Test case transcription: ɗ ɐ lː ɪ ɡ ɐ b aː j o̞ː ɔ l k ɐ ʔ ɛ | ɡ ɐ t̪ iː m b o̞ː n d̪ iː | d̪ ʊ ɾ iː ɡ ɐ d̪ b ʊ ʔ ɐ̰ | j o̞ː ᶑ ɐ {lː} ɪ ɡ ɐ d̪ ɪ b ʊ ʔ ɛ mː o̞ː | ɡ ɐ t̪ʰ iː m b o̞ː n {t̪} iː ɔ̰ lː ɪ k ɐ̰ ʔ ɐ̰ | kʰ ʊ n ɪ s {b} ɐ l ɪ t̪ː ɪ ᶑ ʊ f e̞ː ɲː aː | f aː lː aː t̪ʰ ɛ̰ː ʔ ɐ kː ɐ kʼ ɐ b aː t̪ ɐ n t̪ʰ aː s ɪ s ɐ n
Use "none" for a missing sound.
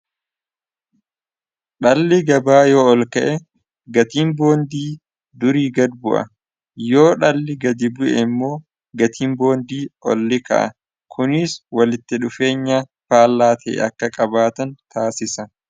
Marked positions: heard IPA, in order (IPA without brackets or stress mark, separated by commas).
lː, d̪, w